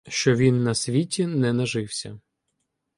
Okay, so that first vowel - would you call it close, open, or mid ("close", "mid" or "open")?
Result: mid